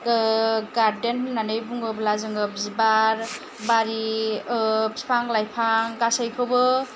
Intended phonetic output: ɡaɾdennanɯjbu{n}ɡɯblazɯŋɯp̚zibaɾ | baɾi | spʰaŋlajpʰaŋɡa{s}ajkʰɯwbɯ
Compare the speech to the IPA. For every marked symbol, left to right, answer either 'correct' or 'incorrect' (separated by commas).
incorrect, correct